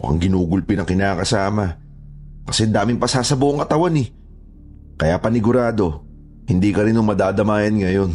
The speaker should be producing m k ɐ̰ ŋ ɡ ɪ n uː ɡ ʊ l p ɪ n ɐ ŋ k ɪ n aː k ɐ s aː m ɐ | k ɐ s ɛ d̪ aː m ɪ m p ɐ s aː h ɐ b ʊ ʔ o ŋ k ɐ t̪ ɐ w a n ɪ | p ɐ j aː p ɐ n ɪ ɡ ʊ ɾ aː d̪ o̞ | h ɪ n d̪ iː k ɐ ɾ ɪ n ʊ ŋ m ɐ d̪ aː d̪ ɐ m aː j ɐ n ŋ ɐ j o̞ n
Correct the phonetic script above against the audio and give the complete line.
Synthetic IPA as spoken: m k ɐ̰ ŋ ɡ ɪ n uː ɡ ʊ l p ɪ n ɐ ŋ k ɪ n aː k ɐ s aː m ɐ | k ɐ s ɛ d̪ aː m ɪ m p ɐ s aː s ɐ b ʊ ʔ o ŋ k ɐ t̪ ɐ w a n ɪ | k ɐ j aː p ɐ n ɪ ɡ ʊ ɾ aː d̪ o̞ | h ɪ n d̪ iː k ɐ ɾ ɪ n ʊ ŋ m ɐ d̪ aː d̪ ɐ m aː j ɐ n ŋ ɐ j o̞ n